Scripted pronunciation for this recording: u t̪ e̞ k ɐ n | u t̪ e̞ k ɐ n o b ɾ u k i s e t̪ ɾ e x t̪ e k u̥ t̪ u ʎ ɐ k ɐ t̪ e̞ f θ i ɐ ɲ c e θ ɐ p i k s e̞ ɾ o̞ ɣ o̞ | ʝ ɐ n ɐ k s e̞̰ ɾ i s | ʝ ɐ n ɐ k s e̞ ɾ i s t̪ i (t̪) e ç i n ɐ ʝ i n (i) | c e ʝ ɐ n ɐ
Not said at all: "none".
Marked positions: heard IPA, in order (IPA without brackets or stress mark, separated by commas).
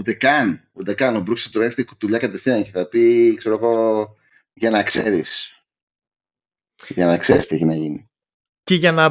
none, i